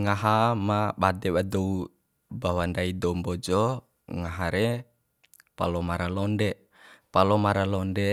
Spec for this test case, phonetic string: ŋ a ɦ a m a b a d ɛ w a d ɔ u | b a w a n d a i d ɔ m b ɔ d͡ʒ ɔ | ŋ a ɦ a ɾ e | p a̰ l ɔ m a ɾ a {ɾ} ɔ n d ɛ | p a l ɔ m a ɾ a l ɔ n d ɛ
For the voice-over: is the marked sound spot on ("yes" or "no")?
no